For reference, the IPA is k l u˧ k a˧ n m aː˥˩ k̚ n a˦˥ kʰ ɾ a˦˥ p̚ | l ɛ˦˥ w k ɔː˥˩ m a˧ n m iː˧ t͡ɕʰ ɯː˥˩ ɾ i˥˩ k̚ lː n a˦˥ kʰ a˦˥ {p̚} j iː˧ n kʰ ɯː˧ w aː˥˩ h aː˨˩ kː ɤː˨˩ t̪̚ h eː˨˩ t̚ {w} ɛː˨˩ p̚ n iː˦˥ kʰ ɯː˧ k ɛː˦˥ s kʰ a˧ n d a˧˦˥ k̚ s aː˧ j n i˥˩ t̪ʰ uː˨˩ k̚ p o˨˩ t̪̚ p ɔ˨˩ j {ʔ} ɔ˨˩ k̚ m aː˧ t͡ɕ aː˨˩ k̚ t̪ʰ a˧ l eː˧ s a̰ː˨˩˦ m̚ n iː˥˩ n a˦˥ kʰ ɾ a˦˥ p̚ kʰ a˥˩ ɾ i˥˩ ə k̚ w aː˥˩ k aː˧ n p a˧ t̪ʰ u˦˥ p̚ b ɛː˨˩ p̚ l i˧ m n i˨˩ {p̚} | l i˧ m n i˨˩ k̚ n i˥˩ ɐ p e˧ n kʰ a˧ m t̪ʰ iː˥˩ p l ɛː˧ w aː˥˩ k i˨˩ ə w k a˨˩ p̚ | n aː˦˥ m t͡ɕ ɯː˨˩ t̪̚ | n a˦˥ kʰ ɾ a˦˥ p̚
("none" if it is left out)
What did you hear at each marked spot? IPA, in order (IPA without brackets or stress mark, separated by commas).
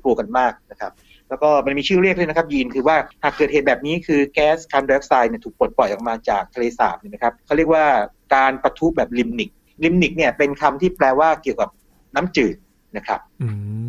p̚, b, ʔ, k̚